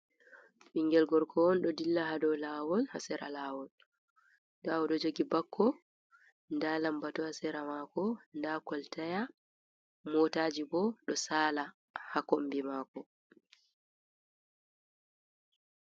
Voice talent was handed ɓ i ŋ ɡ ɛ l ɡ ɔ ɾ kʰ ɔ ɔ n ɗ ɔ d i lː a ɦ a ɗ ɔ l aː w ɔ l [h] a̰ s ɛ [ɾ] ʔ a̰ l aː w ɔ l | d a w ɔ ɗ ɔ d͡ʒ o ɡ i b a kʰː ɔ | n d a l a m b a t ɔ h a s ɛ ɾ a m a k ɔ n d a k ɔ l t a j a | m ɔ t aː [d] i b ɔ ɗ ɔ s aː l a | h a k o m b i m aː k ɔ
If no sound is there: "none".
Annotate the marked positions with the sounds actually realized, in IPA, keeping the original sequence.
h, ɾ, d͡ʒ

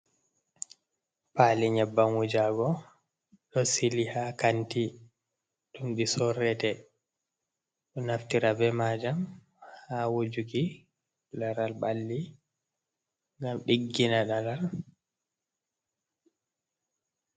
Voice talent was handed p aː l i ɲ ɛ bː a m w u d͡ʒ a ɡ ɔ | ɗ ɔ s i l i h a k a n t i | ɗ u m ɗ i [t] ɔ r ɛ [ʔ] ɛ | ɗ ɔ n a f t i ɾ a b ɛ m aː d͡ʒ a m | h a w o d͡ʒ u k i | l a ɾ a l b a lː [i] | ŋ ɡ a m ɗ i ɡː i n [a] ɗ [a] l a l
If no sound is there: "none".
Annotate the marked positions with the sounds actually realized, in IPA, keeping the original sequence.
s, t, i, a, a

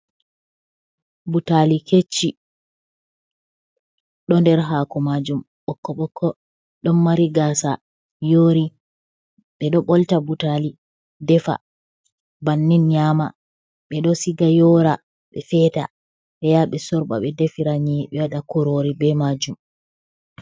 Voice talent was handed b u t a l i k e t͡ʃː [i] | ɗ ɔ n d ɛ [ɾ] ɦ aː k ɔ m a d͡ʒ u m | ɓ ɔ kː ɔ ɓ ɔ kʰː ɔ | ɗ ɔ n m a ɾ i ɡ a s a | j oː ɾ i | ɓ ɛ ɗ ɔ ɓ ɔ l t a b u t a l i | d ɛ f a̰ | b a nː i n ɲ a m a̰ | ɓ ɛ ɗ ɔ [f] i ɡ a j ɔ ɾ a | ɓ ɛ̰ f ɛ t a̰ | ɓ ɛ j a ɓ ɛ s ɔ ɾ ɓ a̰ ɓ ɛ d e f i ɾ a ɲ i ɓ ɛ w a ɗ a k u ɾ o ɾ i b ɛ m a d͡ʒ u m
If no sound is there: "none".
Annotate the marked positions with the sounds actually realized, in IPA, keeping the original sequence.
i, ɾ, s

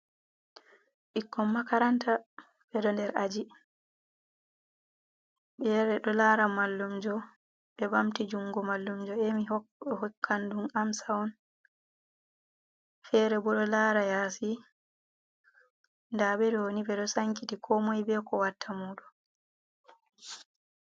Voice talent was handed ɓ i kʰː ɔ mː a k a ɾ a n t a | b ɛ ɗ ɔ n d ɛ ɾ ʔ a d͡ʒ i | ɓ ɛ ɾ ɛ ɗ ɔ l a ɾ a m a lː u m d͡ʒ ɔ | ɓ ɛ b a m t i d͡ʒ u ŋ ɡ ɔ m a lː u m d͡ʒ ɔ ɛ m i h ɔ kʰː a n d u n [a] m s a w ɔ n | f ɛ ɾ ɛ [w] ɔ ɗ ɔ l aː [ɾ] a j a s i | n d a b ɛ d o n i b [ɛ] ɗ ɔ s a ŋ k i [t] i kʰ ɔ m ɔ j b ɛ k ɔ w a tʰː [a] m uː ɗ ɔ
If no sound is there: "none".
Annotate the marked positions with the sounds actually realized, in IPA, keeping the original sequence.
a, b, ɾ, ɛ, t, a

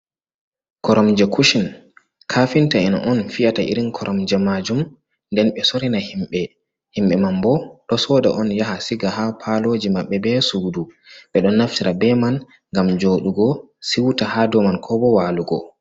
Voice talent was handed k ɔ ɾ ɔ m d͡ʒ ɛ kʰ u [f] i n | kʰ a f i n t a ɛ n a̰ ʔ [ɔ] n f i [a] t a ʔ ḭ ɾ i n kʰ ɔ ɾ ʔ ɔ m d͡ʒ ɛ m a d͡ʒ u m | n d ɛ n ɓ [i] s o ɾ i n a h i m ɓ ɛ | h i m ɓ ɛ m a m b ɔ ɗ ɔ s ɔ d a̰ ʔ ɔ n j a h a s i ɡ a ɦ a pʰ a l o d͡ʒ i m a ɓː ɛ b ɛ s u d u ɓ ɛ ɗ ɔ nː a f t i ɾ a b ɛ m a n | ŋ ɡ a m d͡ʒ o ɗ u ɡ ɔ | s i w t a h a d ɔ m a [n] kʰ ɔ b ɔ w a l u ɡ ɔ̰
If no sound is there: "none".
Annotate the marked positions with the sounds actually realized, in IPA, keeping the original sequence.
ʃ, ɔ, a, ɛ, n

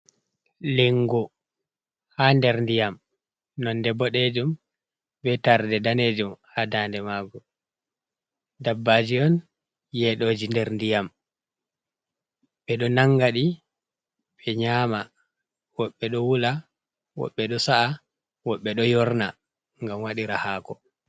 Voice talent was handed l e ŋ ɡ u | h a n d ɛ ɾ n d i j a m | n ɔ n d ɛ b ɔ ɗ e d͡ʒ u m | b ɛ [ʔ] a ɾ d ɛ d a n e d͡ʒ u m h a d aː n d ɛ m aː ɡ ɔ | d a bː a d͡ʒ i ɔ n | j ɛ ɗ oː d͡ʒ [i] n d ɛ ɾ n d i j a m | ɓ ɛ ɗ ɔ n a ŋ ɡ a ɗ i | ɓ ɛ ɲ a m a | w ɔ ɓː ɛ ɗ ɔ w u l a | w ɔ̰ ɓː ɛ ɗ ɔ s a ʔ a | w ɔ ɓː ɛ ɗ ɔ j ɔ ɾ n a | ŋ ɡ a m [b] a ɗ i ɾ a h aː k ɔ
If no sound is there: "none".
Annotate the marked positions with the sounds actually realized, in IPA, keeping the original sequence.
t, i, w

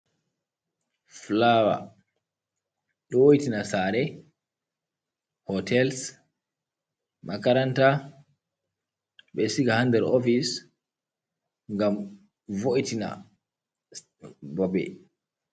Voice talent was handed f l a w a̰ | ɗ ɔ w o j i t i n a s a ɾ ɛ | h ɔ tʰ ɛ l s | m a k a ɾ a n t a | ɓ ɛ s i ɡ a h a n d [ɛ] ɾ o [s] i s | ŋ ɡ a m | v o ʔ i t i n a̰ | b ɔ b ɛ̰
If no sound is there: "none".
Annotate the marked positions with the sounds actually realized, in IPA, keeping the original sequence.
ɛ, f

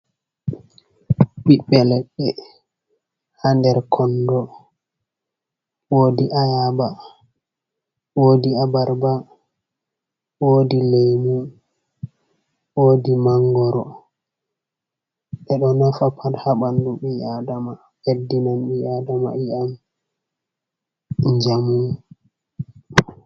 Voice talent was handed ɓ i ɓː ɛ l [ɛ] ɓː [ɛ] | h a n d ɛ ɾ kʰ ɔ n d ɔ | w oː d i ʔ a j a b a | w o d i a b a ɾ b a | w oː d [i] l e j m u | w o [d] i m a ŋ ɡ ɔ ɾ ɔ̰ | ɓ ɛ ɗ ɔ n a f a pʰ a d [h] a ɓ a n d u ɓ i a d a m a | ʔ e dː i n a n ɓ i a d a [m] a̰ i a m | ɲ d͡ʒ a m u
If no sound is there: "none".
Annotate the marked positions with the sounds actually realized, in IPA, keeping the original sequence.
ɛ, ɛ, i, d, h, m

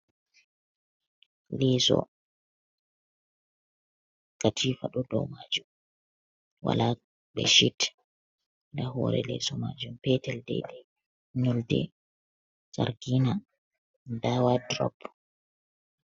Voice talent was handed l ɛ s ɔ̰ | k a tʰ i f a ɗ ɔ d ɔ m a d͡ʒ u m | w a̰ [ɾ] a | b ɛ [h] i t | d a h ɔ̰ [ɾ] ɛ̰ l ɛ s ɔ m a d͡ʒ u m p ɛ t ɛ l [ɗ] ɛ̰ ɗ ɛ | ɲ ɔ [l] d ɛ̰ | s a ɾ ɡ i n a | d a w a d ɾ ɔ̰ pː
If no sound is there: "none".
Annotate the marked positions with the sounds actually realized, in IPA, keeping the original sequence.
l, ʃ, ɾ, d, l

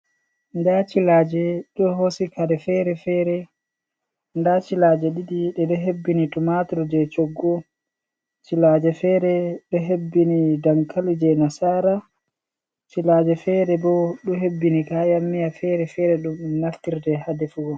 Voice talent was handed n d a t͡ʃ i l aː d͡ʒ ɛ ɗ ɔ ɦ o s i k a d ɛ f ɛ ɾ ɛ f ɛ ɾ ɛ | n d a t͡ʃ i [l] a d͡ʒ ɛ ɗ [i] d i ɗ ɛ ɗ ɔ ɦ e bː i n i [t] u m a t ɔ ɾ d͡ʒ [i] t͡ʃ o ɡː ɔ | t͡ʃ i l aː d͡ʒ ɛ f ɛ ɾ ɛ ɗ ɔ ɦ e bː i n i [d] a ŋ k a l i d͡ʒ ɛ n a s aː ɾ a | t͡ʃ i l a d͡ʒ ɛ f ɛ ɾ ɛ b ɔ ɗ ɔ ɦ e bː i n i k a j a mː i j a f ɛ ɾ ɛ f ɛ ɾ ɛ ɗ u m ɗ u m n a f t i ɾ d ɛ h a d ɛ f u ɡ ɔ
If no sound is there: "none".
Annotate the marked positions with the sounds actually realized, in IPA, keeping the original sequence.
l, i, t, ɛ, d

